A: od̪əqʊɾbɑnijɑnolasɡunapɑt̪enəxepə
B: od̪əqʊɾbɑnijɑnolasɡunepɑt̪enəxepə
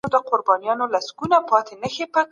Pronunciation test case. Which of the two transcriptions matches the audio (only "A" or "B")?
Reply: A